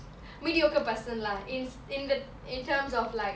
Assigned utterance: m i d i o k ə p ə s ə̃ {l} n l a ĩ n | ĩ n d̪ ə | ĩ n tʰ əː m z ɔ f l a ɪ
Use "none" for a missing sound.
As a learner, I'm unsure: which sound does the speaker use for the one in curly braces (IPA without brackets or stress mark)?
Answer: none